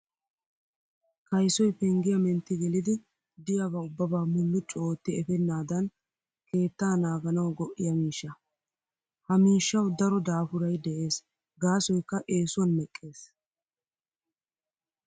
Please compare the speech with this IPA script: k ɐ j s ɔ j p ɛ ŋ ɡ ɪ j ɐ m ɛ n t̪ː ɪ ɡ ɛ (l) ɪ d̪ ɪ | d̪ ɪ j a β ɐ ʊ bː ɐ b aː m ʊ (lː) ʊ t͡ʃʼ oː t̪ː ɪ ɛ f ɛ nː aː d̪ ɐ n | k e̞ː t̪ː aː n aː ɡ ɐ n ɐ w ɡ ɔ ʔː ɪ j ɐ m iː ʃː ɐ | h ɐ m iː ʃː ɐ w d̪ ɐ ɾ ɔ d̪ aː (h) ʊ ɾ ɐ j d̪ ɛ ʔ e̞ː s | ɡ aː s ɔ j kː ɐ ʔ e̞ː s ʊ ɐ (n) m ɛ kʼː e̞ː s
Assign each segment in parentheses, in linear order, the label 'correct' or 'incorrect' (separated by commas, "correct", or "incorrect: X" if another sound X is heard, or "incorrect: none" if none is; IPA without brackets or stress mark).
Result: correct, correct, incorrect: f, correct